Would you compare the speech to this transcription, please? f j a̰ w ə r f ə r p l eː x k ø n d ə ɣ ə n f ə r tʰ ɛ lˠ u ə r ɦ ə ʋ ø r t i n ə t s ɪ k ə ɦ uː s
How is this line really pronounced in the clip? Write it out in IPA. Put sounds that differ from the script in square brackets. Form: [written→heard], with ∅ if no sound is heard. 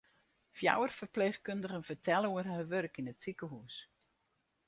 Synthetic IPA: f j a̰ w ə r f ə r p l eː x k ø n d ə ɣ ə n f ə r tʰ ɛ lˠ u ə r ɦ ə ʋ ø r [t→k] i n ə t s [ɪ→i] k ə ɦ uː s